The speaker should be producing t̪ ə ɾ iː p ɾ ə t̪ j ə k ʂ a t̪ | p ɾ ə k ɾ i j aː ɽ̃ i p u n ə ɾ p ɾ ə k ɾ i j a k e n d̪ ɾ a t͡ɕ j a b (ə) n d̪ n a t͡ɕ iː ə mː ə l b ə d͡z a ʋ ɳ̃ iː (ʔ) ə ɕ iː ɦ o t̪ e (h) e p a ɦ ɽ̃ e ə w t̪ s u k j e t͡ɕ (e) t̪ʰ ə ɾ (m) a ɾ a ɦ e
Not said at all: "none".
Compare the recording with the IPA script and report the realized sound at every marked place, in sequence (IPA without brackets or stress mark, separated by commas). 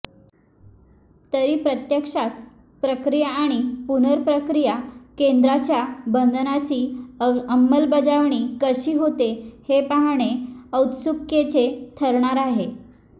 ə, k, h, e, ɳ